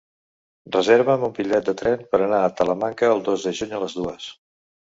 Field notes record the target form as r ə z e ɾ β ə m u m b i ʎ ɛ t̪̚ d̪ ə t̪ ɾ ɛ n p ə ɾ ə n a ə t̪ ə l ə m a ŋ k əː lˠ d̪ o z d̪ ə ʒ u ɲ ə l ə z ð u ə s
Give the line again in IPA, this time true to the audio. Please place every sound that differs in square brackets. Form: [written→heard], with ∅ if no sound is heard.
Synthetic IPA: r ə z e ɾ β ə m u m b i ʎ ɛ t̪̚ d̪ ə t̪ ɾ ɛ n p ə ɾ ə n a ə t̪ ə l ə m a ŋ k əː lˠ d̪ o z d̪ ə ʒ u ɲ ə l ə z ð u ə s